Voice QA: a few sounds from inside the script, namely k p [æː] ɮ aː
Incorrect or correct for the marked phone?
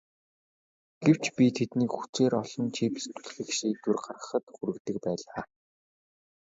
correct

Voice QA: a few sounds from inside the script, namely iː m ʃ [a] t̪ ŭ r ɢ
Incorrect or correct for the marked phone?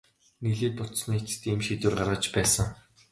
incorrect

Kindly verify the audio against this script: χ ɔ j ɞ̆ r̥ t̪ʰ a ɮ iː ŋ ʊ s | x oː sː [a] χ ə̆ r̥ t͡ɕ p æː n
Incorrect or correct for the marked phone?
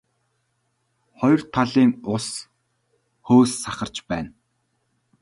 correct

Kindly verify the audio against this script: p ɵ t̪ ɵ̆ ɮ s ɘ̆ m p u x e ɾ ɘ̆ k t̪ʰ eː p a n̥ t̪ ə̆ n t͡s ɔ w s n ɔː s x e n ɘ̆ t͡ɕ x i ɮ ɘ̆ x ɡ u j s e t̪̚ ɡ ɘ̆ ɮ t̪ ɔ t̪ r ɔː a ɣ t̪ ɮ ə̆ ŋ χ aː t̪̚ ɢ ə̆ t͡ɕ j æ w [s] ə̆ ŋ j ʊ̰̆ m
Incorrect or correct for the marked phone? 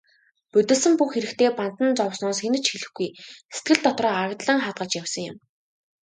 correct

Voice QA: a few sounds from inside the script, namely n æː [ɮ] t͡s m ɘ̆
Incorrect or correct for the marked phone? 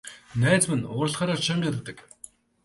incorrect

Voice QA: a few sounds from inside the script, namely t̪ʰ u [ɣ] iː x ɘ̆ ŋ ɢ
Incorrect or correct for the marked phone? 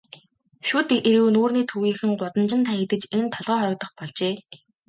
correct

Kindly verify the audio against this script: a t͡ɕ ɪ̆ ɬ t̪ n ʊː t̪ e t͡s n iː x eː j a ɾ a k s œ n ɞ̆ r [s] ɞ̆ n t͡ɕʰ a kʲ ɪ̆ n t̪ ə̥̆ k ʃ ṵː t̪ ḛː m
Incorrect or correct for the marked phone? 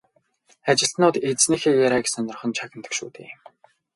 incorrect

